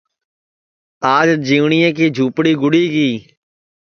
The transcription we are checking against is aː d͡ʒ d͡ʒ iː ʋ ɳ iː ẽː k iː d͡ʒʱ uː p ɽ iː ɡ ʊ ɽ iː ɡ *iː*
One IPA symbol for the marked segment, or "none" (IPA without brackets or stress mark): iː